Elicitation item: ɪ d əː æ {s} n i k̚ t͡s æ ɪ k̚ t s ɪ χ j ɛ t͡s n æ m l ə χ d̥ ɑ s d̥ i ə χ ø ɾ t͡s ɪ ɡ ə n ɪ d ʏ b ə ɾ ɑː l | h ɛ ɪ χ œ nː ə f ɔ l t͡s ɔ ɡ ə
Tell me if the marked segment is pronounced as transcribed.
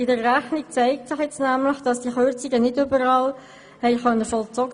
no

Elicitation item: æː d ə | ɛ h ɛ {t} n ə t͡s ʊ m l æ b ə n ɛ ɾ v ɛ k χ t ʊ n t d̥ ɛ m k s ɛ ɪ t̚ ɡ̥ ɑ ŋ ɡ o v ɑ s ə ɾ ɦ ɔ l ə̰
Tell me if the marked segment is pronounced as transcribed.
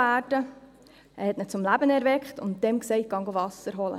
yes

